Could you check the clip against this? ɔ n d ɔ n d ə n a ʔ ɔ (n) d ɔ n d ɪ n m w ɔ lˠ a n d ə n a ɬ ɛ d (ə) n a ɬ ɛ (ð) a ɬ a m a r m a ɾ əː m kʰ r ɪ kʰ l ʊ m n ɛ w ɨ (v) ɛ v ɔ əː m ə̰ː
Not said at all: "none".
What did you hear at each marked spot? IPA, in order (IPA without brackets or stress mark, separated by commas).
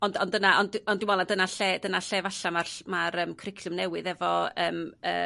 n, ə, v, ð